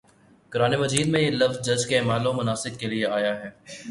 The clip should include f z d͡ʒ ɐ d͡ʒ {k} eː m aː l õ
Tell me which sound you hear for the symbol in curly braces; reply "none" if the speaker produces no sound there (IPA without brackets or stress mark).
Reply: k